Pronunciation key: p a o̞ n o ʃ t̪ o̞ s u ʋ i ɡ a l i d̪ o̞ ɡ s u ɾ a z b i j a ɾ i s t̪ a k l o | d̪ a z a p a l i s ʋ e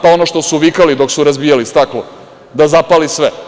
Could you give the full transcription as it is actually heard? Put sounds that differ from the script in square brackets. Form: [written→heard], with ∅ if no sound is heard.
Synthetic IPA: p a o̞ n o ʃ t̪ o̞ s u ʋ i [ɡ→k] a l i d̪ o̞ [ɡ→k] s u ɾ a z b i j a [ɾ→l] i s t̪ a k l o | d̪ a z a p a l i s ʋ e